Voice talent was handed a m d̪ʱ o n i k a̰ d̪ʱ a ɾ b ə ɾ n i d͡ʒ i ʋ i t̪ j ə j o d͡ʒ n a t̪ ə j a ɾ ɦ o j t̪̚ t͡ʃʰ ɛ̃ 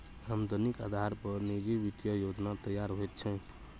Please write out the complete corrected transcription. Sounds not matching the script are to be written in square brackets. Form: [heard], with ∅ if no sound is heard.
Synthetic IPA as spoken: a m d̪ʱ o n i k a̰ d̪ʱ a ɾ [p] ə ɾ n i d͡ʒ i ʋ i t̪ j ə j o d͡ʒ n a t̪ ə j a ɾ ɦ o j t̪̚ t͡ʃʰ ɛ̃